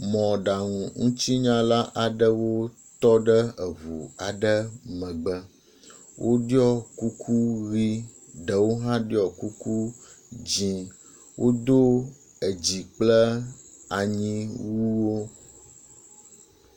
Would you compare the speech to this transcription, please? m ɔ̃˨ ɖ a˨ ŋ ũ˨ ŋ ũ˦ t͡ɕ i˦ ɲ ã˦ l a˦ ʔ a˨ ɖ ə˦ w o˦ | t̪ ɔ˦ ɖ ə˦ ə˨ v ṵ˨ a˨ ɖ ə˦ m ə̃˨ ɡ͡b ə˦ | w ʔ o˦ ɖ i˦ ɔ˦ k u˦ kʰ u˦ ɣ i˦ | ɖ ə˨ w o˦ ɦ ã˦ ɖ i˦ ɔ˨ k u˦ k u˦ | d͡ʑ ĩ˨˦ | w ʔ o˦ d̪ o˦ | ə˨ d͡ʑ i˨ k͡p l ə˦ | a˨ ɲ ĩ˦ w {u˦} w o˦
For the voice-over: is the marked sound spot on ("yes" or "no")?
yes